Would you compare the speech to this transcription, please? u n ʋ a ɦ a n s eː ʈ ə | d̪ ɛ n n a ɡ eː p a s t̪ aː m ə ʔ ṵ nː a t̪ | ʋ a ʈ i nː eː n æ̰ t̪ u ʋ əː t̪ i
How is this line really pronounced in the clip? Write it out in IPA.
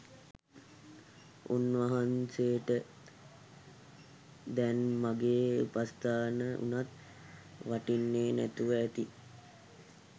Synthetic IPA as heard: u n ʋ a ɦ a n s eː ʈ ə | d̪ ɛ n m a ɡ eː p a s t̪ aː n ə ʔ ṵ n a t̪ | ʋ a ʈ i nː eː n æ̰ t̪ u ʋ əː t̪ i